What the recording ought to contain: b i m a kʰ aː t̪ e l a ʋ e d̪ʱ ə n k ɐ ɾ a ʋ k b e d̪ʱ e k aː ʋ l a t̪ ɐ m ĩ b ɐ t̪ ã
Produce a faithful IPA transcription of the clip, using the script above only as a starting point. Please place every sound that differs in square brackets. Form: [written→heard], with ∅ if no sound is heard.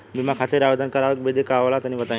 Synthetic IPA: b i m a kʰ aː t̪ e [l→ɾ] a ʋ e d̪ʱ ə n k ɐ ɾ a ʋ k b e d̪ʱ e k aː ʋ l a t̪ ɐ [m→n] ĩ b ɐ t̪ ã